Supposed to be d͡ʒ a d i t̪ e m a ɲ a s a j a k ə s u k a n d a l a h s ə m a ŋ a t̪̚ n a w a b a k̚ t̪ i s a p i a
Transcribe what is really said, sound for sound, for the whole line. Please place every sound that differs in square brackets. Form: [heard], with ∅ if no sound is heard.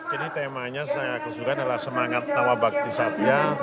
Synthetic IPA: d͡ʒ a d i t̪ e m a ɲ a s a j a k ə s u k a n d a l a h s ə m a ŋ a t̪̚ n a w a b a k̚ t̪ i s a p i a